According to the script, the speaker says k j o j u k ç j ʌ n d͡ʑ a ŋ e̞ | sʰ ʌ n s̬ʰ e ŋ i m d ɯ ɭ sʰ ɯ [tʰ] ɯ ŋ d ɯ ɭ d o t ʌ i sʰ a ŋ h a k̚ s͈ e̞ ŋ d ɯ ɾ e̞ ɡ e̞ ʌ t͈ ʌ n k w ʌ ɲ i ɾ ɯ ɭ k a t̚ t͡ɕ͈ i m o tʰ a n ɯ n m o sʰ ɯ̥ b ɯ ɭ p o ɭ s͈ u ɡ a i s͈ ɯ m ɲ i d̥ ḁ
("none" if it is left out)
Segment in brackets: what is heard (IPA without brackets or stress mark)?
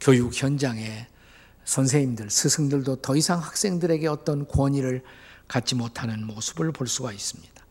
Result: sʰ